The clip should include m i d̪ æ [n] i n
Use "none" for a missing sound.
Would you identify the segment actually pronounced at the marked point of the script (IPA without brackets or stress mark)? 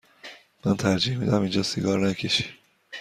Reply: m